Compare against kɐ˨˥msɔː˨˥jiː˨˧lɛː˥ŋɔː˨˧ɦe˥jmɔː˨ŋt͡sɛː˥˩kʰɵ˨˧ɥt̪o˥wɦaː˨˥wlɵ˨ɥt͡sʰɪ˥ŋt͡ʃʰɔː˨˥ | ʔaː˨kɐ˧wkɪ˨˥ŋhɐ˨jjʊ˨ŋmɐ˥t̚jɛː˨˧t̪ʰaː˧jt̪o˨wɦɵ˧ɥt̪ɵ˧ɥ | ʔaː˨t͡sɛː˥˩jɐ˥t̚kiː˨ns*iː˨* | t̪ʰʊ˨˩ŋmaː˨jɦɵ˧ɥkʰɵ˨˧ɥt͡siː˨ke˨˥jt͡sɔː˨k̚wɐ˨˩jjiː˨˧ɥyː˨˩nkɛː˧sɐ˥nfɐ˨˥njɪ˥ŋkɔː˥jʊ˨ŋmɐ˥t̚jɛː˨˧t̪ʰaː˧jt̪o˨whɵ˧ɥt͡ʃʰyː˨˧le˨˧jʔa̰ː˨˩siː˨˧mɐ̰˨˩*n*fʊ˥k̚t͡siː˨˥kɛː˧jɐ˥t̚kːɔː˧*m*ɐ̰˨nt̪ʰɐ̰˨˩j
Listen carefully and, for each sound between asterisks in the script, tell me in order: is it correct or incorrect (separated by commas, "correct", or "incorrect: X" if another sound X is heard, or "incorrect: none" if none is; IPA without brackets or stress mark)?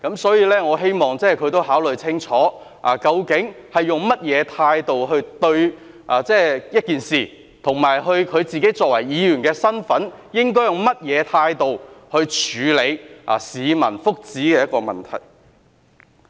correct, correct, correct